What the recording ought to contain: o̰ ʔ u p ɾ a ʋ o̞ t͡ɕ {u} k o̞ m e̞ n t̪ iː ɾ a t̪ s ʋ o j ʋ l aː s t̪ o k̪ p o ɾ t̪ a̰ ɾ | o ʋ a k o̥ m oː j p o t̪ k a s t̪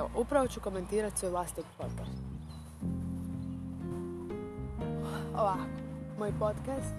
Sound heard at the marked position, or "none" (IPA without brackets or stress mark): u